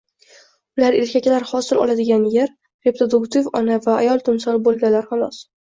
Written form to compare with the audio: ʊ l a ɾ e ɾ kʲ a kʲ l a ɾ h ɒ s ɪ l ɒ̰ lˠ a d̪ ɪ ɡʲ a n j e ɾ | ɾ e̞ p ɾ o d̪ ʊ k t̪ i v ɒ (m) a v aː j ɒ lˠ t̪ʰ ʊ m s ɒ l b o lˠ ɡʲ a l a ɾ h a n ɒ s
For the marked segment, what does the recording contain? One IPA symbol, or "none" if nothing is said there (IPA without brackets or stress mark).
n